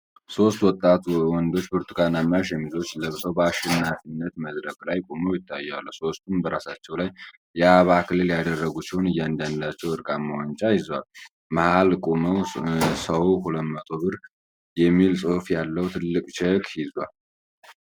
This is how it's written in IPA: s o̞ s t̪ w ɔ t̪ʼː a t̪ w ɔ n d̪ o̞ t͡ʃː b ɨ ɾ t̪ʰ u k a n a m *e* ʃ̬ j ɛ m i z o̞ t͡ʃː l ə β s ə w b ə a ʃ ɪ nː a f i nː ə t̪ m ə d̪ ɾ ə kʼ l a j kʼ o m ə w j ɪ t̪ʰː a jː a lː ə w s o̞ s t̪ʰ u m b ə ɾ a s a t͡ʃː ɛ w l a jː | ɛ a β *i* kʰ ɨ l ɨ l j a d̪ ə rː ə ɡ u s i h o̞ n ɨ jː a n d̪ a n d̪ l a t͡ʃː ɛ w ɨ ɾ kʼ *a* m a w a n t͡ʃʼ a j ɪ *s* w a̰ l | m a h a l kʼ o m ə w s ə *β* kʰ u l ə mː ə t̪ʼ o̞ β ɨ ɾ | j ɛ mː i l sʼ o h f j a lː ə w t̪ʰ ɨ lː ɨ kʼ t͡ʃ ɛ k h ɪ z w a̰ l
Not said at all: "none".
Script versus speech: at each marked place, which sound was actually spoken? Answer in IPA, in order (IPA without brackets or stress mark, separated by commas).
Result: a, a, a, z, w